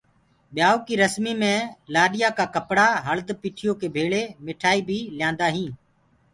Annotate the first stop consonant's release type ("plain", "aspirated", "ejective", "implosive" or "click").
implosive